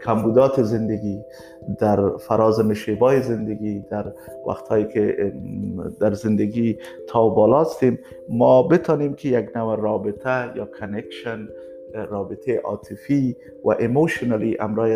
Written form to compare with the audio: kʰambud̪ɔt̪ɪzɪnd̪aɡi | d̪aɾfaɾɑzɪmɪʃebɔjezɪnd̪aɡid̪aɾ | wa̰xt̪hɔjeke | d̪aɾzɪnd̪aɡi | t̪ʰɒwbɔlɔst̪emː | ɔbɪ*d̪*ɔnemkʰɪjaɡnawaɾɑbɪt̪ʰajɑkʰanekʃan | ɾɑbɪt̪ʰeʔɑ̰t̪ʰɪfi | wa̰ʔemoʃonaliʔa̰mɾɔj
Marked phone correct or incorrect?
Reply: incorrect